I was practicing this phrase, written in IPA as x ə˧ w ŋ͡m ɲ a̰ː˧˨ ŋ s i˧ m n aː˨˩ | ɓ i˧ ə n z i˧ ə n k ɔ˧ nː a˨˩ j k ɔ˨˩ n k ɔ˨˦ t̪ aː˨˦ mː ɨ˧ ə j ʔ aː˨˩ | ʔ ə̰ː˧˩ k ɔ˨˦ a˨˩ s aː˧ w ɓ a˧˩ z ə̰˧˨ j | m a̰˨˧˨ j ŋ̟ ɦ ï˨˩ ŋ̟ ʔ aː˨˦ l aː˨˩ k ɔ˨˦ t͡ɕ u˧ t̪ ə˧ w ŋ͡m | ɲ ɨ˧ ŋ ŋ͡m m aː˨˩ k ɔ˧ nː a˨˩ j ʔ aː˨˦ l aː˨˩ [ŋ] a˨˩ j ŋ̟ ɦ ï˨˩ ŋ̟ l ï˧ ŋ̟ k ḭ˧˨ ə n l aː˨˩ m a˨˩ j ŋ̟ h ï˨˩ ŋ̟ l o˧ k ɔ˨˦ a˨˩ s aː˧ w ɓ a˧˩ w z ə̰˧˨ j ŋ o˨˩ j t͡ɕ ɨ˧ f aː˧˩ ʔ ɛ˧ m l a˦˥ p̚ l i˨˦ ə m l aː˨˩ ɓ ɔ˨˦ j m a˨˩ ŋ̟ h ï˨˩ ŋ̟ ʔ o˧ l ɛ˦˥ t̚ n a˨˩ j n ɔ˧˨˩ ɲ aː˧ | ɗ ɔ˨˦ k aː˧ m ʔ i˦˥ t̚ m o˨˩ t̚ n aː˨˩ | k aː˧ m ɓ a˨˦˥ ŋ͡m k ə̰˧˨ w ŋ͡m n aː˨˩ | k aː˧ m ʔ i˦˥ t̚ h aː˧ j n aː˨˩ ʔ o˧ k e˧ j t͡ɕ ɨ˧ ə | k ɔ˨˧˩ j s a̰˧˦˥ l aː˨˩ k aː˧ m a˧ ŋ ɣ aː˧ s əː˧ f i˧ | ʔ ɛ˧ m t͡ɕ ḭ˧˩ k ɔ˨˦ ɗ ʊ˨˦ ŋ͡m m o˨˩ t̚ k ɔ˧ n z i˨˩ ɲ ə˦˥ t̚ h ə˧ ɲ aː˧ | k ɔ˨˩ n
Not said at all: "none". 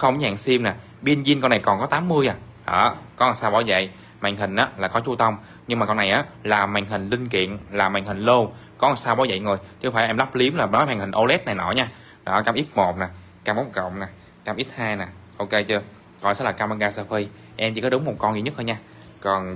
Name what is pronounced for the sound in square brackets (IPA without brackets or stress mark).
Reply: m